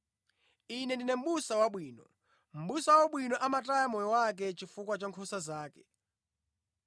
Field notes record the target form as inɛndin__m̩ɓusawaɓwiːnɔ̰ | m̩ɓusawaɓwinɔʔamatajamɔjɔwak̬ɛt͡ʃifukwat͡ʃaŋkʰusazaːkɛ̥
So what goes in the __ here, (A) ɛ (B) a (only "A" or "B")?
A